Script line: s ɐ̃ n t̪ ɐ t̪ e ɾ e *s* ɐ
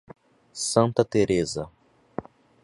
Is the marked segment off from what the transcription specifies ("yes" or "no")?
yes